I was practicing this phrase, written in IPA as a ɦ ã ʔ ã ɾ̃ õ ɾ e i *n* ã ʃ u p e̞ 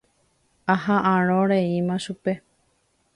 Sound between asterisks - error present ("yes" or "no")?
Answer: yes